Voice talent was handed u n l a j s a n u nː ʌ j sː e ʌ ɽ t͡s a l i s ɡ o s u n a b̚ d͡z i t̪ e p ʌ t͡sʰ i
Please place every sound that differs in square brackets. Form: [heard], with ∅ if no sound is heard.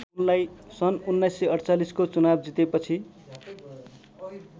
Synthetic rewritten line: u n l a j s [ʌ] n u nː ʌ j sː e ʌ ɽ t͡s a l i s [k] o [t͡s] u n a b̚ d͡z i t̪ e p ʌ t͡sʰ i